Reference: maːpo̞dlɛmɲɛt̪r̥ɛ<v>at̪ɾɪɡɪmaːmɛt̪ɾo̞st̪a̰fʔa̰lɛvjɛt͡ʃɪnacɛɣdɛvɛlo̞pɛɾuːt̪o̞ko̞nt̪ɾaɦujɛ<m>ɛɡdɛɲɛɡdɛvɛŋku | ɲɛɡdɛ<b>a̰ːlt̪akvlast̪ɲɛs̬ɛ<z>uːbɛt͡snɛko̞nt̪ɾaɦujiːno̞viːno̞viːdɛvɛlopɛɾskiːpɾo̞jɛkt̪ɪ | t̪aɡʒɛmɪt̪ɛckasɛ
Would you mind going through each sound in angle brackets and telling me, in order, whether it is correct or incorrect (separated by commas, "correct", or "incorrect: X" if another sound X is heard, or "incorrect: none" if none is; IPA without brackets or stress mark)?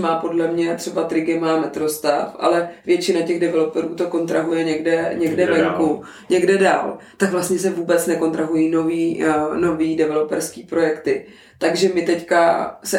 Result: incorrect: b, incorrect: ɲ, incorrect: d, incorrect: v